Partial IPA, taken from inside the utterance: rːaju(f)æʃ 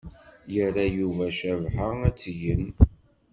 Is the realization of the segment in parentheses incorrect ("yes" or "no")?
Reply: yes